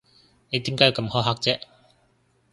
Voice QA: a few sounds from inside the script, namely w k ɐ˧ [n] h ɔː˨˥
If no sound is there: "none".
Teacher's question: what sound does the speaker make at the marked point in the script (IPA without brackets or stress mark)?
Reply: m